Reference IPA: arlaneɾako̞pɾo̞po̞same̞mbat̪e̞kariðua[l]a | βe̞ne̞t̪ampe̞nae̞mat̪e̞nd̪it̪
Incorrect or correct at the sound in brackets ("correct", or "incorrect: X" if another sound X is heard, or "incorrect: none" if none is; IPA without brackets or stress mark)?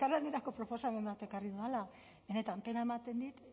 correct